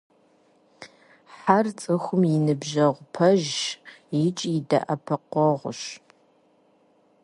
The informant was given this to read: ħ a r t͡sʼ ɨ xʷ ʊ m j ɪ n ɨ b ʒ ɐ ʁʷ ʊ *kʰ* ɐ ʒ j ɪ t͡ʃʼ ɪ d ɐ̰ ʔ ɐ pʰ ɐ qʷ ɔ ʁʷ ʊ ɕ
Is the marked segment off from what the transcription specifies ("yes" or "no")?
yes